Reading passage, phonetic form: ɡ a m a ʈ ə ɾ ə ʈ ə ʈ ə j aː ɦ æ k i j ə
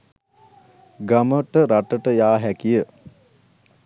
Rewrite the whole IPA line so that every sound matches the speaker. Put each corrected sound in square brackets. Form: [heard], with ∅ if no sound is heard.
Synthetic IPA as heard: ɡ a m [ə] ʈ ə ɾ [a] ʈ ə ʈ ə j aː ɦ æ k i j ə